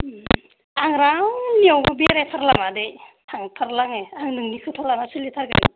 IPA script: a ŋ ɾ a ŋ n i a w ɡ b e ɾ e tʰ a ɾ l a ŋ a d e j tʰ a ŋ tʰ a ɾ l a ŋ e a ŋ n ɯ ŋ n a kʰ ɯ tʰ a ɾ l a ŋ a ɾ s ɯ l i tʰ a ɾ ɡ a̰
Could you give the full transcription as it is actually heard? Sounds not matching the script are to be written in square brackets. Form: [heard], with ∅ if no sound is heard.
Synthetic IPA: a ŋ ɾ a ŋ n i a w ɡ b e ɾ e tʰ a ɾ l a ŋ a d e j tʰ a ŋ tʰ a ɾ l a ŋ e a ŋ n ɯ ŋ n [i] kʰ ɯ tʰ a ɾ l a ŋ a [∅] s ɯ l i tʰ a ɾ ɡ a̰